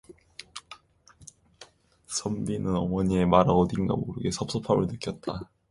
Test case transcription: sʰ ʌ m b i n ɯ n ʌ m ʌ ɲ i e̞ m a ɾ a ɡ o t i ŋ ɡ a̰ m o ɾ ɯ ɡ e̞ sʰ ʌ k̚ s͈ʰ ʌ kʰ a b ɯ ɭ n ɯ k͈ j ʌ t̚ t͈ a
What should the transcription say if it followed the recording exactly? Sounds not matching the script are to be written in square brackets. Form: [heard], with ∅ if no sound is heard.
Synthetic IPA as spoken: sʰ ʌ m b i n ɯ n ʌ m ʌ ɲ i e̞ m a ɾ a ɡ o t i ŋ ɡ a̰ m o ɾ ɯ ɡ e̞ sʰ ʌ [p̚] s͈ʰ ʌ [pʰ] a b ɯ ɭ n ɯ k͈ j ʌ t̚ t͈ a